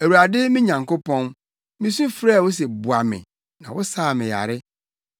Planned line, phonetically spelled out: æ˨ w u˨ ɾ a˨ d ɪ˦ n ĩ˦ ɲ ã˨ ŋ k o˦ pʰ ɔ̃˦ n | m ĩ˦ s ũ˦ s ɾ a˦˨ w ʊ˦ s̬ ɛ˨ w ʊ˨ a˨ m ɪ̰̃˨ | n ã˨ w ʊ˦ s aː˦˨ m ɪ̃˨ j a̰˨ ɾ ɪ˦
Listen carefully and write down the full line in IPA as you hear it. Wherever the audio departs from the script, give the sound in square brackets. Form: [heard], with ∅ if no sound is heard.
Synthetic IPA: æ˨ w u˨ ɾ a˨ d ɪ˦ [m] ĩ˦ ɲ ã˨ ŋ k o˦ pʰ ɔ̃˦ n | m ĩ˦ s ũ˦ [f] ɾ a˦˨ w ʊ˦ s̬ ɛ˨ [b] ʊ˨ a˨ m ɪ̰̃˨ | n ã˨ w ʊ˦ s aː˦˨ m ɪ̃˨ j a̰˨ ɾ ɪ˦